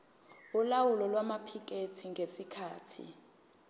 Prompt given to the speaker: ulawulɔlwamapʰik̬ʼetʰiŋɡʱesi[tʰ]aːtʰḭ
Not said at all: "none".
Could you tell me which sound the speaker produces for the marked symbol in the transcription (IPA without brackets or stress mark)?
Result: kʰ